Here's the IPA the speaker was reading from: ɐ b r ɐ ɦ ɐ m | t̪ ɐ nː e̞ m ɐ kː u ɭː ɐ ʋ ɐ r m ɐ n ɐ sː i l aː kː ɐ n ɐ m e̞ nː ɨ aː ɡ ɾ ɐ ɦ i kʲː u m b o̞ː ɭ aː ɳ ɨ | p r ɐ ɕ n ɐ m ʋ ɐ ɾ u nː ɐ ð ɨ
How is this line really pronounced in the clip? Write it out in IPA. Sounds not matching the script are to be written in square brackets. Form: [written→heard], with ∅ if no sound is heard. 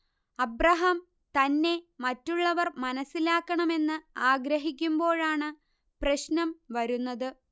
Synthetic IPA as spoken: ɐ b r ɐ ɦ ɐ m | t̪ ɐ nː e̞ m ɐ [kː→tː] u ɭː ɐ ʋ ɐ r m ɐ n ɐ sː i l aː kː ɐ [n→ɳ] ɐ m e̞ nː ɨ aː ɡ ɾ ɐ ɦ i kʲː u m b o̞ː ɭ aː ɳ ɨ | p r ɐ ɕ n ɐ m ʋ ɐ ɾ u nː ɐ ð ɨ